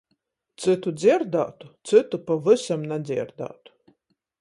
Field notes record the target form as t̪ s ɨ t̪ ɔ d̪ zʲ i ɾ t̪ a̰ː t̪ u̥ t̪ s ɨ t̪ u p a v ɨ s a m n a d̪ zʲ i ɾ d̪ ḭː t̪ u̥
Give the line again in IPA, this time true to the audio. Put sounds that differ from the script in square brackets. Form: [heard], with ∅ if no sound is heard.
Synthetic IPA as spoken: t̪ s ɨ t̪ [u] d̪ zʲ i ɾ [d̪] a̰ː t̪ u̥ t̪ s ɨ t̪ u p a v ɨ s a m n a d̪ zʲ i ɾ d̪ [a̰ː] t̪ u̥